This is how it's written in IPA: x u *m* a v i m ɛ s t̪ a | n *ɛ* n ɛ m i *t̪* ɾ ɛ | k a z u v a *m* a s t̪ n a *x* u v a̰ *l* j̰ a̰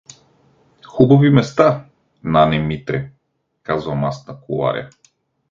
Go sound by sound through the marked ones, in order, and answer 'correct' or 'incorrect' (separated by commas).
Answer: incorrect, incorrect, correct, correct, incorrect, incorrect